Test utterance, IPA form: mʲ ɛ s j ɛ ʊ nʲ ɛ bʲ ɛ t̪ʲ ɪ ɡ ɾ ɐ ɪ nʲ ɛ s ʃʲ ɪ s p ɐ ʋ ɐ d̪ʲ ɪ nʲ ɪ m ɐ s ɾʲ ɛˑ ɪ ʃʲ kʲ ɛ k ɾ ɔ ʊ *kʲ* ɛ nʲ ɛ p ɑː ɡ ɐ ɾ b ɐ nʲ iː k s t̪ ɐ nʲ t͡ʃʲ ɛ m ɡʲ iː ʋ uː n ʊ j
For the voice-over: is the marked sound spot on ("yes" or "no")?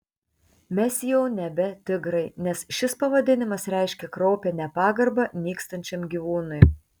no